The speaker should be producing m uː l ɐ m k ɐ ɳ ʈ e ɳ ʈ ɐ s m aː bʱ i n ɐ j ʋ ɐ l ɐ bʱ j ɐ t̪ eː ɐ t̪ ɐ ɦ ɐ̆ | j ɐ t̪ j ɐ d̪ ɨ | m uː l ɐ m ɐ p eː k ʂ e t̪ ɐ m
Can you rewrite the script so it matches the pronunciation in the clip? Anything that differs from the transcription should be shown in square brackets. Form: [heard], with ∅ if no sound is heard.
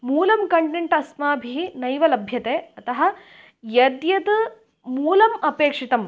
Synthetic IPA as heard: m uː l ɐ m k ɐ ɳ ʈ e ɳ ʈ ɐ s m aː bʱ i n ɐ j ʋ ɐ l ɐ bʱ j ɐ t̪ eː ɐ t̪ ɐ ɦ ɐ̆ | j ɐ [d̪] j ɐ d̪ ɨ | m uː l ɐ m ɐ p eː k ʂ [i] t̪ ɐ m